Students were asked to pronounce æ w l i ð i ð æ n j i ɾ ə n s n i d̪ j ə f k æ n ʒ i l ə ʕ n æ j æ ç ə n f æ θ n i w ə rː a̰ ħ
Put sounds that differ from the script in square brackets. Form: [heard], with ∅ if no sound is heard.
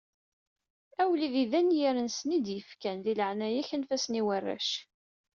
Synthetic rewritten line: æ w l i ð i ð æ n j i ɾ ə n s n i d̪ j ə f k æ n [ð] i l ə ʕ n æ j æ ç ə n f æ [s] n i w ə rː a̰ [ʃ]